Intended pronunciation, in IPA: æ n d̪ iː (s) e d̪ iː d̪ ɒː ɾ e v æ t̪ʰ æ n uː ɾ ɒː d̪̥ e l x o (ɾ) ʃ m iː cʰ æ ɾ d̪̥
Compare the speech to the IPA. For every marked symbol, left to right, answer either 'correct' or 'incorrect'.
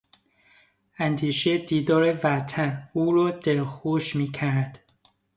incorrect: ʃ, incorrect: none

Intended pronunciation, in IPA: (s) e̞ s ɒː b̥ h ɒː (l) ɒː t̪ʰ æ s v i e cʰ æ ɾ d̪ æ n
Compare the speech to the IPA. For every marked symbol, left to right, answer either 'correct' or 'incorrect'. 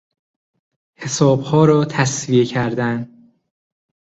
incorrect: h, incorrect: ɾ

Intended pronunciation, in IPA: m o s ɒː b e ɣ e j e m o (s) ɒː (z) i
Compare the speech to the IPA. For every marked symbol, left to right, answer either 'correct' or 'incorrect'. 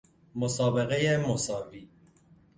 correct, incorrect: v

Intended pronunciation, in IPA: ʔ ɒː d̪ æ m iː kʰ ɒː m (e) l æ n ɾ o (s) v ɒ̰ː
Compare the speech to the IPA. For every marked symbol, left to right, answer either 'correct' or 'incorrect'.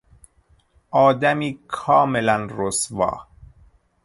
correct, correct

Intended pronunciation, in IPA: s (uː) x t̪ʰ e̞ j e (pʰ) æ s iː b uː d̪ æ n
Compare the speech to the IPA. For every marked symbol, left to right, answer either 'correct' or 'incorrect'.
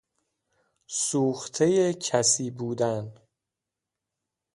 correct, incorrect: cʰ

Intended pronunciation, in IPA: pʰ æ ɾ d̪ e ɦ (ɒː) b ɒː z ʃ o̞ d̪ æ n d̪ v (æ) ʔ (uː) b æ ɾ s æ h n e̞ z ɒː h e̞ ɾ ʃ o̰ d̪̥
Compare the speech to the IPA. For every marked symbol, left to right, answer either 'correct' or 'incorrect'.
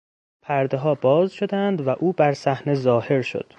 correct, correct, correct

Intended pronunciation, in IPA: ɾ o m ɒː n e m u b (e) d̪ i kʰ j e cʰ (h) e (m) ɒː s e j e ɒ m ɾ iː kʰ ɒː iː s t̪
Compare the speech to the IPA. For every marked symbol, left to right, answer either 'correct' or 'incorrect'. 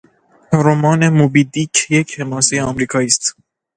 incorrect: i, correct, correct

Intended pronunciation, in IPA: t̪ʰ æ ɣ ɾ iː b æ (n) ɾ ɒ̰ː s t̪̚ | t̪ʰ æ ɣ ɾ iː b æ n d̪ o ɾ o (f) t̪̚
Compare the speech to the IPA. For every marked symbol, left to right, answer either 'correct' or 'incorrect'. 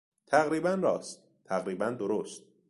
correct, incorrect: s

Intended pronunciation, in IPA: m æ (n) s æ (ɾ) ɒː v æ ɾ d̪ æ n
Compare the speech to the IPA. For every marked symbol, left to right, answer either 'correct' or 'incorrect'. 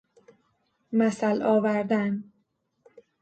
incorrect: none, incorrect: l

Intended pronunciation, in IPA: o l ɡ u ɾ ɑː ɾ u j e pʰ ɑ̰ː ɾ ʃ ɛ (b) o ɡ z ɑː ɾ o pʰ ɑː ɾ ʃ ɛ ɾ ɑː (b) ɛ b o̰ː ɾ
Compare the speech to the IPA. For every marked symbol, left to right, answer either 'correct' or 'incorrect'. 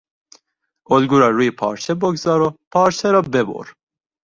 correct, correct

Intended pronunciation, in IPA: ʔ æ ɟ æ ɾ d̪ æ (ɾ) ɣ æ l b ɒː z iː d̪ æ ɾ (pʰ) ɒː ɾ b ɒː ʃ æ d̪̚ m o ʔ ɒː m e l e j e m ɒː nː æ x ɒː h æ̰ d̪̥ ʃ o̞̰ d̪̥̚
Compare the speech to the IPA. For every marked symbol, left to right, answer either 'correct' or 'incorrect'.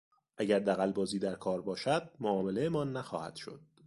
incorrect: none, incorrect: kʰ

